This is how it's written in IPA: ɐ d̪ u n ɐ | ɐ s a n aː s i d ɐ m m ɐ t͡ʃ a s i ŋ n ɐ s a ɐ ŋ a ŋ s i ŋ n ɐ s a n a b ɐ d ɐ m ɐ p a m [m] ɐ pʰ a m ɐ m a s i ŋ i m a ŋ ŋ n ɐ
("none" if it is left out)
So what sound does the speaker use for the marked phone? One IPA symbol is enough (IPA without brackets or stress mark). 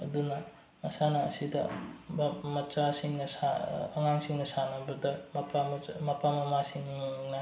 m